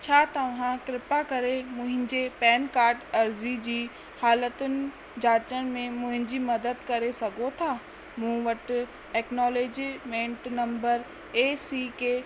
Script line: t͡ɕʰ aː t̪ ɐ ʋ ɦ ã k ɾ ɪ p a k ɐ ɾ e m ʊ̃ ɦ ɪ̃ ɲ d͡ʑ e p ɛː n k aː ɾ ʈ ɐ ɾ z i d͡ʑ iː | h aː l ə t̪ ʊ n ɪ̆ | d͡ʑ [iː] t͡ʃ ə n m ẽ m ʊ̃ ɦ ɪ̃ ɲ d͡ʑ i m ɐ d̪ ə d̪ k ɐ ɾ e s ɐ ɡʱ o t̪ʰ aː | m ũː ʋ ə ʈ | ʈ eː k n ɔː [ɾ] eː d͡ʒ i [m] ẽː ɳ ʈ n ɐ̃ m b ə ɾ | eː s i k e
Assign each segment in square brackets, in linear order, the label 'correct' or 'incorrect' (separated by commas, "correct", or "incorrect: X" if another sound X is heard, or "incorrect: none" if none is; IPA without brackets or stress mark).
incorrect: aː, incorrect: l, correct